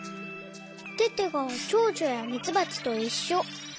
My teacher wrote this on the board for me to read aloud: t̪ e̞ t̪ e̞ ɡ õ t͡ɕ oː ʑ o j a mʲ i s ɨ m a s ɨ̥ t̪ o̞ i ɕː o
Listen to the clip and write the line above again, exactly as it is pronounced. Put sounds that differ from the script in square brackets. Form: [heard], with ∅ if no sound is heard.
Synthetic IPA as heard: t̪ e̞ t̪ e̞ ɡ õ t͡ɕ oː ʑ o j a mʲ i [t͡s] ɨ [b] a [t͡s] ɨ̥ t̪ o̞ i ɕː o

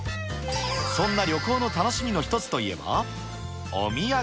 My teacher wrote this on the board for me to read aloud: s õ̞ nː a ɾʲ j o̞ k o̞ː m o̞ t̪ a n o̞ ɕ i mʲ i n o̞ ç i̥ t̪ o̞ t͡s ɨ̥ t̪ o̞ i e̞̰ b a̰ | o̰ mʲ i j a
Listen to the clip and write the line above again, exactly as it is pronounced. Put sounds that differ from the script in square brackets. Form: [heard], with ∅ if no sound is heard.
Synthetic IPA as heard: s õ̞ nː a ɾʲ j o̞ k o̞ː [n] o̞ t̪ a n o̞ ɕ i mʲ i n o̞ ç i̥ t̪ o̞ t͡s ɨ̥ t̪ o̞ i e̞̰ b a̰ | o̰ mʲ i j a

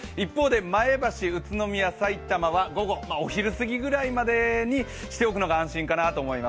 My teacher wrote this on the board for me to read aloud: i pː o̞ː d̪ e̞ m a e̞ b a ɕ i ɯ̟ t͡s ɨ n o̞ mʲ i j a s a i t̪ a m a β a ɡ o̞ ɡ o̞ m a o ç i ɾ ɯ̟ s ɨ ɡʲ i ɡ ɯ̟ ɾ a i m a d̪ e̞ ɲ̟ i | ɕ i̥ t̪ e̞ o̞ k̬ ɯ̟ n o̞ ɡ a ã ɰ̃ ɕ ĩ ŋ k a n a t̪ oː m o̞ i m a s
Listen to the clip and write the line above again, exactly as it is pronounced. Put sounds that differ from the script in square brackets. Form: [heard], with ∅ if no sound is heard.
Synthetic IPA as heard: i pː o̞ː d̪ e̞ m a e̞ b a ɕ i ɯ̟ t͡s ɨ n o̞ mʲ i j a s a i t̪ a m a β a ɡ o̞ ɡ o̞ m a o ç i ɾ ɯ̟ s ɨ ɡʲ i ɡ ɯ̟ ɾ a i m a d̪ e̞ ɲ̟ i | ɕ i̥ t̪ e̞ o̞ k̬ ɯ̟ n o̞ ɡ a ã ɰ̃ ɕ ĩ ŋ k a n a t̪ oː m o̞ i m a s

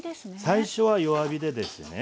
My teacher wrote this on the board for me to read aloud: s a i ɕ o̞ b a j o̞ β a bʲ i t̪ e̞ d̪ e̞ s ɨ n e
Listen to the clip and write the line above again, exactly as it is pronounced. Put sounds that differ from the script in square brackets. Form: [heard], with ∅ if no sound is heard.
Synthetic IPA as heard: s a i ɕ o̞ [β] a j o̞ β a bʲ i [d̪] e̞ d̪ e̞ s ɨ n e

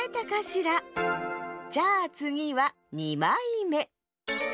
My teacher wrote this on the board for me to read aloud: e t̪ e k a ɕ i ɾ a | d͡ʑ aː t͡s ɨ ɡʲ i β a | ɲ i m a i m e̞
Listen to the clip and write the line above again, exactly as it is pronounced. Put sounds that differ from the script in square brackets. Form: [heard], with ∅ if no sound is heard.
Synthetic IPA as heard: e t̪ [a] k a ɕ i ɾ a | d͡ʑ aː t͡s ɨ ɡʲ i β a | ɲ i m a i m e̞

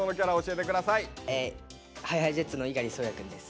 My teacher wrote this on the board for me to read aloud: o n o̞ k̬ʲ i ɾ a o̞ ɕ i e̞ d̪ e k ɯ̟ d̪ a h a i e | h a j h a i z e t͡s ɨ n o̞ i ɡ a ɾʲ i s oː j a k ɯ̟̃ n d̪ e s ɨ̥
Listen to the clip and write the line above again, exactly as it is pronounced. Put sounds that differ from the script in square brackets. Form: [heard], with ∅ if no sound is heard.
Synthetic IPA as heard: o n o̞ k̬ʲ [a] ɾ a o̞ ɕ i e̞ [t̪] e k ɯ̟ d̪ a [s] a i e | h a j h a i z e t͡s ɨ n o̞ i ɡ a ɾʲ i s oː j a k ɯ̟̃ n d̪ e s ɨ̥

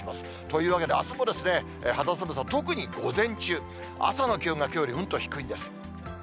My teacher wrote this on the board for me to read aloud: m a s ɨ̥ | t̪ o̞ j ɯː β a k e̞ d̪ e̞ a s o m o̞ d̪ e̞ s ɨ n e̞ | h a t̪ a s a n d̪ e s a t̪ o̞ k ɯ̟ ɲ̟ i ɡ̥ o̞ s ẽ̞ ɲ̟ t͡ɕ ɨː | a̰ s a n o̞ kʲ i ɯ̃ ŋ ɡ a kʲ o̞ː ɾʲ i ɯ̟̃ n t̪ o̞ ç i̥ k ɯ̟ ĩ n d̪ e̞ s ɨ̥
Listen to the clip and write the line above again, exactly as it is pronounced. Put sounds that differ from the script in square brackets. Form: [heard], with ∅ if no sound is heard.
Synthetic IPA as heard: m a s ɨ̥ | t̪ o̞ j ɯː β a k e̞ d̪ e̞ a s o m o̞ d̪ e̞ s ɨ n e̞ | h a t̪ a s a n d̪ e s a t̪ o̞ k ɯ̟ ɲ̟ i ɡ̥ o̞ [z] ẽ̞ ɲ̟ t͡ɕ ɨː | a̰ s a n o̞ kʲ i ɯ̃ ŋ ɡ a kʲ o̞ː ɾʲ i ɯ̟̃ n t̪ o̞ ç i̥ k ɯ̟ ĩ n d̪ e̞ s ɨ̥

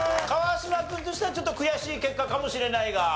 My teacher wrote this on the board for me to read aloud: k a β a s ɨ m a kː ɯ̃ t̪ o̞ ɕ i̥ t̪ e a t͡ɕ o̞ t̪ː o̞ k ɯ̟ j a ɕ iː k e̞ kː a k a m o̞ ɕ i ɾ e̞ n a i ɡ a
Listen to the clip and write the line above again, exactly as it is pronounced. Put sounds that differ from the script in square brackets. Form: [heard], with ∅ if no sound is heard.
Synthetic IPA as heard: k a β a s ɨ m a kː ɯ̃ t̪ o̞ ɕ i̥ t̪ e a t͡ɕ o̞ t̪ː o̞ k ɯ̟ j a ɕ iː k e̞ kː a k a m o̞ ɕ i ɾ e̞ n a i ɡ a

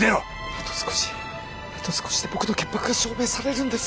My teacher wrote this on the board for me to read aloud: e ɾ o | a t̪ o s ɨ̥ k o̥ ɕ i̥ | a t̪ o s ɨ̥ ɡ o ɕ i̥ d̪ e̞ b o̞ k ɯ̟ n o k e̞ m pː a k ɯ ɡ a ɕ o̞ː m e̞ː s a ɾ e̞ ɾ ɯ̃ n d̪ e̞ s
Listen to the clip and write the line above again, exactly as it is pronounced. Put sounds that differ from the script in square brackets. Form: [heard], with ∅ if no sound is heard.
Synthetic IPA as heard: e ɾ o | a t̪ o s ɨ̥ k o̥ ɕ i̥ | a t̪ o s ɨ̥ [k] o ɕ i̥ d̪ e̞ b o̞ k ɯ̟ n o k e̞ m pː a k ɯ ɡ a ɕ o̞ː m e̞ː s a ɾ e̞ ɾ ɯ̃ n d̪ e̞ s

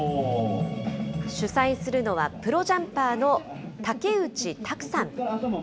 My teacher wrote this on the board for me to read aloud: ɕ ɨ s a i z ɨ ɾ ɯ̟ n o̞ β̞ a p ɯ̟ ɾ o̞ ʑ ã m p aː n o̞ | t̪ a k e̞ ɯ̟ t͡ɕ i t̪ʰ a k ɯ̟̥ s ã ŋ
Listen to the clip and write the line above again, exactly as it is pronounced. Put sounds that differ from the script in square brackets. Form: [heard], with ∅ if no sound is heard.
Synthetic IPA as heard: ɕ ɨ s a i [s] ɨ ɾ ɯ̟ n o̞ β̞ a p ɯ̟ ɾ o̞ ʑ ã m p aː n o̞ | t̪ a k e̞ ɯ̟ t͡ɕ i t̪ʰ a k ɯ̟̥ s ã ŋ

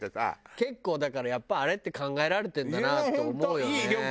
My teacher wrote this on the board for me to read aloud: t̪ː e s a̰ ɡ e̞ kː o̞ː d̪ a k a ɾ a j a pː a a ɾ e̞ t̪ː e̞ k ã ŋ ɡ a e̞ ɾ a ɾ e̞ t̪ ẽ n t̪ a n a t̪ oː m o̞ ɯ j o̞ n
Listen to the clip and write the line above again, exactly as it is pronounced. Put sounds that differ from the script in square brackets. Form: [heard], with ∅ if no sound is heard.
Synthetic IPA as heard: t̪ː e s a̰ [k] e̞ kː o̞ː d̪ a k a ɾ a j a pː a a ɾ e̞ t̪ː e̞ k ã ŋ ɡ a e̞ ɾ a ɾ e̞ t̪ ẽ n [d̪] a n a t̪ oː m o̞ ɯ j o̞ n

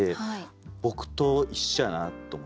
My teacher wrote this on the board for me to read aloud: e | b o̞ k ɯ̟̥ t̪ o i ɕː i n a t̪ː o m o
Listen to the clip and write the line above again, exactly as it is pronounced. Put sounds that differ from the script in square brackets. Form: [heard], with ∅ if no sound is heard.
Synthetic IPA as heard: e | b o̞ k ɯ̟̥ t̪ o i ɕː [a] n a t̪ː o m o

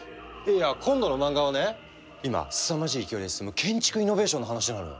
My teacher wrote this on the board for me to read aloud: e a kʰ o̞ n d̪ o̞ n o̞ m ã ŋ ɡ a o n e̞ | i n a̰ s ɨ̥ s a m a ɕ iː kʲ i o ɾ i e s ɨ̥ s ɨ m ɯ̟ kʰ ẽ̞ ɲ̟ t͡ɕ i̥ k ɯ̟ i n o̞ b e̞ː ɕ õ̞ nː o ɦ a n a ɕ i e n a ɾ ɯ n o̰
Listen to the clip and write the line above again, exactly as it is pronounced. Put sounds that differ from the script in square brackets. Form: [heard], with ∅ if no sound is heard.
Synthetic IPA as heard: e a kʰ [õ̞] n d̪ o̞ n o̞ m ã ŋ ɡ a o n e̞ | i [m] a̰ s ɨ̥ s a m a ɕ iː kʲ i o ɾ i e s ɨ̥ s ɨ m ɯ̟ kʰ ẽ̞ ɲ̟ t͡ɕ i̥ k ɯ̟ i n o̞ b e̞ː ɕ õ̞ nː o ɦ a n a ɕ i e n a ɾ ɯ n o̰

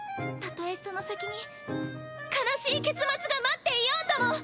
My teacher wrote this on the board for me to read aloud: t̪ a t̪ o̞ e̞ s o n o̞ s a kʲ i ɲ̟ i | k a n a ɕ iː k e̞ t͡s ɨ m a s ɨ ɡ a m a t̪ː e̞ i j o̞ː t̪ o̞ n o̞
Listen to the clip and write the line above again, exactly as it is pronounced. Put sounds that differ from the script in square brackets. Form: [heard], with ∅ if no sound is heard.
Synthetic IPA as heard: t̪ a t̪ o̞ e̞ s o n o̞ s a kʲ i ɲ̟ i | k a n a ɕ iː k e̞ t͡s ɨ m a [t͡s] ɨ ɡ a m a t̪ː e̞ i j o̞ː t̪ o̞ [m] o̞

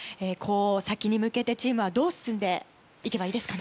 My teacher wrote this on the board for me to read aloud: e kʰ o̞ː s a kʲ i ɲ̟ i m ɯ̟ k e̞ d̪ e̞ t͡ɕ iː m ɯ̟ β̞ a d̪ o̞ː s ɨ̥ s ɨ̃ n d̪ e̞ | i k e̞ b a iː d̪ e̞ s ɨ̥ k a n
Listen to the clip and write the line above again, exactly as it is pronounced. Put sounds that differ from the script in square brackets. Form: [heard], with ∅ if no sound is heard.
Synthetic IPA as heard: e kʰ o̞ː s a kʲ i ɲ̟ i m ɯ̟ k e̞ [t̪] e̞ t͡ɕ iː m ɯ̟ β̞ a d̪ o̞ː s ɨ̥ s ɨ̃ n d̪ e̞ | i k e̞ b a iː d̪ e̞ s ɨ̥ k a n

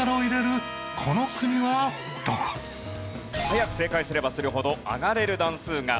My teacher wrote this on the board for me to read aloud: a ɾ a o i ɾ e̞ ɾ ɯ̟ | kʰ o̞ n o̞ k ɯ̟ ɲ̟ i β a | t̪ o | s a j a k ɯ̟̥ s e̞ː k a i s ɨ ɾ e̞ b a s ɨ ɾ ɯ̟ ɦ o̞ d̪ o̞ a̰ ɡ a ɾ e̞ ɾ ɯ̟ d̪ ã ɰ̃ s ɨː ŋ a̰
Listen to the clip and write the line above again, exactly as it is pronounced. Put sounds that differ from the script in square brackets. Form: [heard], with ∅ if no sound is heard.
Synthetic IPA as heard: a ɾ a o i ɾ e̞ ɾ ɯ̟ | kʰ o̞ n o̞ k ɯ̟ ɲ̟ i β a | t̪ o | [h] a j a k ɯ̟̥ s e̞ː k a i s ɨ ɾ e̞ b a s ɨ ɾ ɯ̟ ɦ o̞ d̪ o̞ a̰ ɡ a ɾ e̞ ɾ ɯ̟ d̪ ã ɰ̃ s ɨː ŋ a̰

